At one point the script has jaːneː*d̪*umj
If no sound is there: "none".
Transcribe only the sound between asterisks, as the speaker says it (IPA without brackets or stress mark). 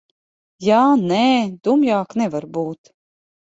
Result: d̪